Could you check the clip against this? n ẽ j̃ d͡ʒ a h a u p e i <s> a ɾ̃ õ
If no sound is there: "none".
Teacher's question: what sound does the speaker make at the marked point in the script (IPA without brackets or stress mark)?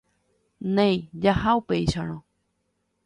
ʃ